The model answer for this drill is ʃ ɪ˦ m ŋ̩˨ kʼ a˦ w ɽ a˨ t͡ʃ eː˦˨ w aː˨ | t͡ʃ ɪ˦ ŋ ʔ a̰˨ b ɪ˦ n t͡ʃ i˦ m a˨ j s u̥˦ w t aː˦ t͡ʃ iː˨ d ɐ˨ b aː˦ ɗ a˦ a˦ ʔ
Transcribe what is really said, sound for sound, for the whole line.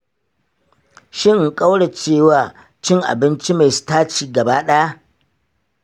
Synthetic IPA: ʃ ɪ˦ ŋ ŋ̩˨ kʼ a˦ w ɽ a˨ t͡ʃ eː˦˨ w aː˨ | t͡ʃ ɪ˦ ŋ ʔ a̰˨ b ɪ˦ n t͡ʃ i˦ m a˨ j s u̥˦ t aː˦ t͡ʃ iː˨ ɡ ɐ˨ b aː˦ ɗ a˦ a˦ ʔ

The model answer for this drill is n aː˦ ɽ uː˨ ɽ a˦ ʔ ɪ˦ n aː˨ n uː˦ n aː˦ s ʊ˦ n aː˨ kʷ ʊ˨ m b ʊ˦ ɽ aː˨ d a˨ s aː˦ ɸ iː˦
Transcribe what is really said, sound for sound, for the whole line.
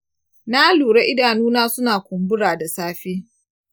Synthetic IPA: n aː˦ l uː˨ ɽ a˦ ʔ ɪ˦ d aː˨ n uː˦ n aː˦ s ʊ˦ n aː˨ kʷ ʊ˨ m b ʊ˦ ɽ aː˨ d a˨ s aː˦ ɸ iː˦

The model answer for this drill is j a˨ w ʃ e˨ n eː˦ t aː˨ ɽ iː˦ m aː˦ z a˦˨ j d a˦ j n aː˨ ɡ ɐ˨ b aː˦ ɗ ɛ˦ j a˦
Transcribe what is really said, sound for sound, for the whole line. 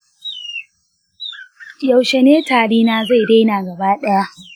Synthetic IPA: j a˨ w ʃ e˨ n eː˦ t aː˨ ɽ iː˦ n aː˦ z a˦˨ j d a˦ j n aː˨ ɡ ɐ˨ b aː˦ ɗ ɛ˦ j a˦

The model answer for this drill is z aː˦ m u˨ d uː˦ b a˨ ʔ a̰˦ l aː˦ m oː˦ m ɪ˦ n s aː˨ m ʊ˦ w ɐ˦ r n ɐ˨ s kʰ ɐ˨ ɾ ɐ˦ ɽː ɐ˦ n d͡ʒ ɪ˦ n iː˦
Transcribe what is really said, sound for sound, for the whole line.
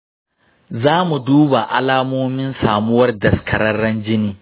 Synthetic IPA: z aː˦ m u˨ d uː˦ b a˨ ʔ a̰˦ l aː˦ m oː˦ m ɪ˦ n s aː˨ m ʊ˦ w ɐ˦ r d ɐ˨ s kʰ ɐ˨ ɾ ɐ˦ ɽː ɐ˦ n d͡ʒ ɪ˦ n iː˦

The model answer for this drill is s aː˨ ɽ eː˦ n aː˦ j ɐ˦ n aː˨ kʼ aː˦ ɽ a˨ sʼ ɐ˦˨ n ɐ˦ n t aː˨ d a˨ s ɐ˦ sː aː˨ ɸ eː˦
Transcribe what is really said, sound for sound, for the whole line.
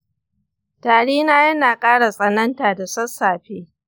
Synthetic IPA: t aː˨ ɽ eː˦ n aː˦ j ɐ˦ n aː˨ kʼ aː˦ ɽ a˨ sʼ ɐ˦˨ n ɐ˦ n t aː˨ d a˨ s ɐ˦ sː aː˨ ɸ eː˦

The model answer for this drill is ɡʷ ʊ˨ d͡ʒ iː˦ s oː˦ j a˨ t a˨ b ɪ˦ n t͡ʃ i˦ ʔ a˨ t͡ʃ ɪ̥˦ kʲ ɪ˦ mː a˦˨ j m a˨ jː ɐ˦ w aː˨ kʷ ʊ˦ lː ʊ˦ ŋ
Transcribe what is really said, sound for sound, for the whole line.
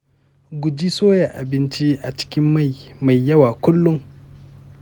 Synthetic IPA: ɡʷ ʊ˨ d͡ʒ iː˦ s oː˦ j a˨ ʔ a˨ b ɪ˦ n t͡ʃ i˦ ʔ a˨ t͡ʃ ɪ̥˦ kʲ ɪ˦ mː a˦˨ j m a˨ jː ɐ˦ w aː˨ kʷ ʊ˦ lː ʊ˦ ŋ

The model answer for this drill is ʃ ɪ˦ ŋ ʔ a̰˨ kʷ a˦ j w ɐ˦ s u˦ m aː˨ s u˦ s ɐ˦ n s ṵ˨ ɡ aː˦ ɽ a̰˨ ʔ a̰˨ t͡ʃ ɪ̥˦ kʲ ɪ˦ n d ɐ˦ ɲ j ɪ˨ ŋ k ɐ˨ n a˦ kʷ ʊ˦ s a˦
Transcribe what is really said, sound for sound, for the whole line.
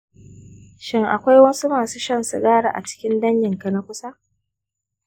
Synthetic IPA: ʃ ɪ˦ ŋ ʔ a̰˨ kʷ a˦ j w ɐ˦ s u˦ m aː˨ s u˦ ʃ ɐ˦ n s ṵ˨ ɡ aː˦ ɽ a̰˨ ʔ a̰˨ t͡ʃ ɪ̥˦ kʲ ɪ˦ n d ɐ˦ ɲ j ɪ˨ ŋ k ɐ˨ n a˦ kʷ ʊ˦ s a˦

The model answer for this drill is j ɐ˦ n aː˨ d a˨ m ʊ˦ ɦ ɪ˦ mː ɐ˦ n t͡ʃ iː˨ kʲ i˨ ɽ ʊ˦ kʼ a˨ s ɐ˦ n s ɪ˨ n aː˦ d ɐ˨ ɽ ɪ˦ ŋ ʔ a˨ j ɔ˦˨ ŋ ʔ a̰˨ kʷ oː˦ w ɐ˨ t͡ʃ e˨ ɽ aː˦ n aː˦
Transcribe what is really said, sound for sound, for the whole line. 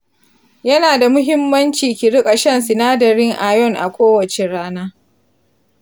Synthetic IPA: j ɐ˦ n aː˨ d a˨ m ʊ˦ ɦ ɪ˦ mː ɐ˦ n t͡ʃ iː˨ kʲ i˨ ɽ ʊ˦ kʼ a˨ ʃ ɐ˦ n s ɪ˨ n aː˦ d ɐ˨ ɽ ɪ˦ ŋ ʔ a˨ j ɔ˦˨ ŋ ʔ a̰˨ kʷ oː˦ w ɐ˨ t͡ʃ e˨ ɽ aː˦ n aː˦

